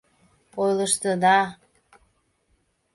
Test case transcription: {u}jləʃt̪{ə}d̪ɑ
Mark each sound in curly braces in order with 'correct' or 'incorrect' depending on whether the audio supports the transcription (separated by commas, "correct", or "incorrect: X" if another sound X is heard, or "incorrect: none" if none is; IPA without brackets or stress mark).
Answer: incorrect: o, correct